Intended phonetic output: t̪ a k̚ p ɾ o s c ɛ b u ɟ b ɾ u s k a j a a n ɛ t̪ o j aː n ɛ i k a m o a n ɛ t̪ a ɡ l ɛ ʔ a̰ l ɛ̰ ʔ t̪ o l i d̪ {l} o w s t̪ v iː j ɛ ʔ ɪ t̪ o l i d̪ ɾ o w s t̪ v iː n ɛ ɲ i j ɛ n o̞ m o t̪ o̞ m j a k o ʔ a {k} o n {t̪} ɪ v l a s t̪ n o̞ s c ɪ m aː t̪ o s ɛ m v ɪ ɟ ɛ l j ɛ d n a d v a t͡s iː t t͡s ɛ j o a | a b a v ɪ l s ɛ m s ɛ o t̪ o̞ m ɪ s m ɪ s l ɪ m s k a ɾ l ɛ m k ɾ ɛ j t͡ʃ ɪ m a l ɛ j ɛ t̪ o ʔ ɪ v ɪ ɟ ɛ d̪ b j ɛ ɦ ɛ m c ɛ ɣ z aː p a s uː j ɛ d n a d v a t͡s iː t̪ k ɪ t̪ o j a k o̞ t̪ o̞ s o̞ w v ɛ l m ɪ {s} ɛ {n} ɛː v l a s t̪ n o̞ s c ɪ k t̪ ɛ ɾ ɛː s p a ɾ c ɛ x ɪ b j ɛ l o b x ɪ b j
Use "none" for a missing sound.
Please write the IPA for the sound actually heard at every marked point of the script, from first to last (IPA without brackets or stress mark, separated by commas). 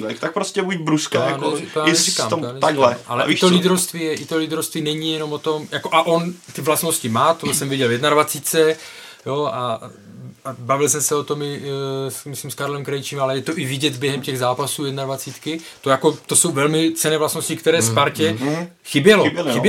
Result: ɾ, ʔ, t̪, t͡s, n